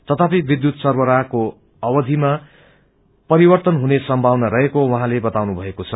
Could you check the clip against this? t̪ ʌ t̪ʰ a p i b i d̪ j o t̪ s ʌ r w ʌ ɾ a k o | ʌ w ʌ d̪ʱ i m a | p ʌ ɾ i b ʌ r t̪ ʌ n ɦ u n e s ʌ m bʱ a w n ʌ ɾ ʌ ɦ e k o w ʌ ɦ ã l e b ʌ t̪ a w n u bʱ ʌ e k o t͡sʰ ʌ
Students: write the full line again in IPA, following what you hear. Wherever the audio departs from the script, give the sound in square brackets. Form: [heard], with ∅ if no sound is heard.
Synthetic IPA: t̪ ʌ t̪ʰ a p i b i d̪ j [u] t̪ s ʌ r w ʌ ɾ a k o | ʌ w ʌ d̪ʱ i m a | p ʌ ɾ i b ʌ r t̪ ʌ n ɦ u n e s ʌ m bʱ a w n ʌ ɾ ʌ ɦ e k o w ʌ ɦ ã l e b ʌ t̪ a w n u bʱ ʌ e k o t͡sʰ ʌ